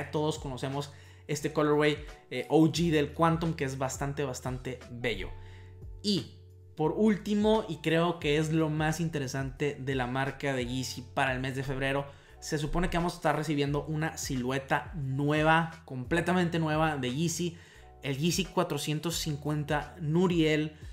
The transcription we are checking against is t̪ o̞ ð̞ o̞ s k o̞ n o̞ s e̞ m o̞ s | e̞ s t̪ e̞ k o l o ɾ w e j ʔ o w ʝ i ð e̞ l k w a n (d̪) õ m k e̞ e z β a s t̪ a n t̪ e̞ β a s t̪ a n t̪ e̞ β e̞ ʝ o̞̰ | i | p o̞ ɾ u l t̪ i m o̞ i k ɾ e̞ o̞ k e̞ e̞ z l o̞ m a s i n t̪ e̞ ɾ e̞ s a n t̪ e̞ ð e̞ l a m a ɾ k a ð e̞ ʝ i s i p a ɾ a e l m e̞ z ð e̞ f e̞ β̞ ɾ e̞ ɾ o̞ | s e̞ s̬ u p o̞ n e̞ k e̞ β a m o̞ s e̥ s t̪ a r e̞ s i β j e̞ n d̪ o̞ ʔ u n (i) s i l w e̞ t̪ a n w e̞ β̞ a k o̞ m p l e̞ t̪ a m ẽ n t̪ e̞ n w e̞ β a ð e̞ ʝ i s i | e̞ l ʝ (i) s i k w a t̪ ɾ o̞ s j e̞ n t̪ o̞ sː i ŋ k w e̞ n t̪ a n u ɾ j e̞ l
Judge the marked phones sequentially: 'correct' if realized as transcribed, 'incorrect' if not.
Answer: incorrect: t̪, incorrect: a, correct

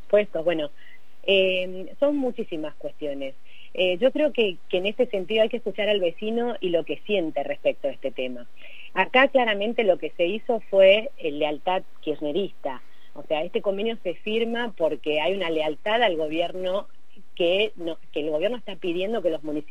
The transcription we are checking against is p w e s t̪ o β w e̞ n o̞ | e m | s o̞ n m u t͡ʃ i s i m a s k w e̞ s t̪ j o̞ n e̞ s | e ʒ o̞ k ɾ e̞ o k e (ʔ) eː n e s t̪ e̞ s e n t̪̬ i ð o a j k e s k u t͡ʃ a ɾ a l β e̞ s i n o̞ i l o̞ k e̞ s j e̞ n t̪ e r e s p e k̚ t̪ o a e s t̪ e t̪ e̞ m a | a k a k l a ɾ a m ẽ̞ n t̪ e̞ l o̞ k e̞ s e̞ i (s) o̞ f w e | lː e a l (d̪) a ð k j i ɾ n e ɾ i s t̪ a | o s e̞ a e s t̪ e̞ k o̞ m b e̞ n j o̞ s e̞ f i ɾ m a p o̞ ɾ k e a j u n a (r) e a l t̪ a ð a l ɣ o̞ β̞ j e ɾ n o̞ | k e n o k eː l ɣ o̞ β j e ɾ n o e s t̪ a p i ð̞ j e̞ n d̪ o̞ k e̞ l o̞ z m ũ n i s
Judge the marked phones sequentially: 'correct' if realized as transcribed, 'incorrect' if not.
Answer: incorrect: k, correct, incorrect: t̪, incorrect: l

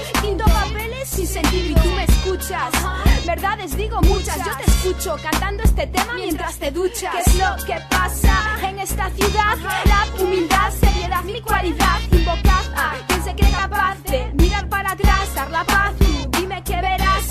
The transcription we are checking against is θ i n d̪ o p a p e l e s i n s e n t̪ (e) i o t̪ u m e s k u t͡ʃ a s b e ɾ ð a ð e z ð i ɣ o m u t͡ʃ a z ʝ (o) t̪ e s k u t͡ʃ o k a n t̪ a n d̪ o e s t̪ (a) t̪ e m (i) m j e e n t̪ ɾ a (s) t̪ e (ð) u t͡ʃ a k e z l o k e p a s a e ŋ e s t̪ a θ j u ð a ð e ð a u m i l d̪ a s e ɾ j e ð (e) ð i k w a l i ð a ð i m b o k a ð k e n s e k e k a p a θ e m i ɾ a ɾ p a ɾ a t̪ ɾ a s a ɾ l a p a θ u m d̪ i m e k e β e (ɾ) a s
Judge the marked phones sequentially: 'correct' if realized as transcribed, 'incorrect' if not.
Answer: incorrect: i, correct, incorrect: e, incorrect: a, correct, correct, incorrect: a, correct

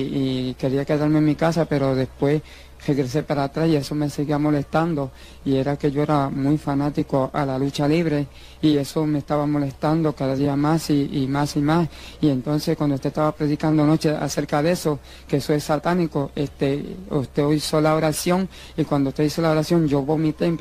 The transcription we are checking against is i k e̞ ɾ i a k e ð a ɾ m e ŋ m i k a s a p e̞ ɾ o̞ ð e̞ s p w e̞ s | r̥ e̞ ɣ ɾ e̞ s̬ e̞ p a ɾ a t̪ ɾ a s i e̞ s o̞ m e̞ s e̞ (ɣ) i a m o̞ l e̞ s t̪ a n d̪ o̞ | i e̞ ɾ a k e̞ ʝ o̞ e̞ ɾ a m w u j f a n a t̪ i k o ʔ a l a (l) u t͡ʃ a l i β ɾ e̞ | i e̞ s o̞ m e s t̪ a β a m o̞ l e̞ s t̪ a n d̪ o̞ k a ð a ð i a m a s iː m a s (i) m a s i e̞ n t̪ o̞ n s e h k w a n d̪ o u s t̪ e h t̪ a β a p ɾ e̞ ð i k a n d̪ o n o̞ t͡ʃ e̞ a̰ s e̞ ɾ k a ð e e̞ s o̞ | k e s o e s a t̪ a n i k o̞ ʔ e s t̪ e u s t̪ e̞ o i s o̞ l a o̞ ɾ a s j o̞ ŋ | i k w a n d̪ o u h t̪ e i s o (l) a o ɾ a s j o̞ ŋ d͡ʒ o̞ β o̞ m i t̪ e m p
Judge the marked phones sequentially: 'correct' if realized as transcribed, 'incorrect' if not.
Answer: correct, correct, correct, correct

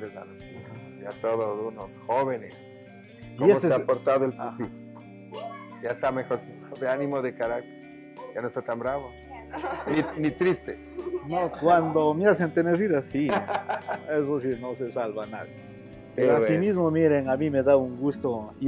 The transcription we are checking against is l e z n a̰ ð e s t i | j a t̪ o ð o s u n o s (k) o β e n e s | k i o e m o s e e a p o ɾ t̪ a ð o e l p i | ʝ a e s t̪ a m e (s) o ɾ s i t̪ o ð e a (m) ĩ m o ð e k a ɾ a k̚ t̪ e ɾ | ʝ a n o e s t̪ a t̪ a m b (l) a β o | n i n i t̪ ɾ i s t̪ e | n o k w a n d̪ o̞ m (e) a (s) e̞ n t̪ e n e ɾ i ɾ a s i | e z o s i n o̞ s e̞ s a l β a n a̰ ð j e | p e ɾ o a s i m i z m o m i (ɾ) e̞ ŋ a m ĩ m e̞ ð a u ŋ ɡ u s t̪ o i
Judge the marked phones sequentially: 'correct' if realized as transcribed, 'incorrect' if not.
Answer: incorrect: x, incorrect: x, incorrect: n, incorrect: ɾ, correct, correct, correct

